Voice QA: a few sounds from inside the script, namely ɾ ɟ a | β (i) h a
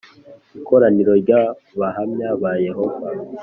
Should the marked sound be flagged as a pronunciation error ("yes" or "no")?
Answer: yes